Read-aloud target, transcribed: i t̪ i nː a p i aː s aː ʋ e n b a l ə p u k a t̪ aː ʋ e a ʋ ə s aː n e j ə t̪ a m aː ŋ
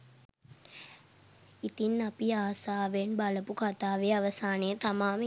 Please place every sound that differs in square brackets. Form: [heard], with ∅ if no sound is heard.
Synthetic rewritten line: i t̪ i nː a p i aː s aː ʋ e n b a l ə p u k a t̪ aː ʋ e a ʋ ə s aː n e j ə t̪ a m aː [m]